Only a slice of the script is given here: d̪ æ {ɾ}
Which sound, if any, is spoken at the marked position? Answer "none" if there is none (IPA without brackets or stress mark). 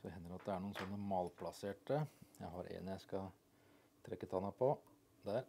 ɾ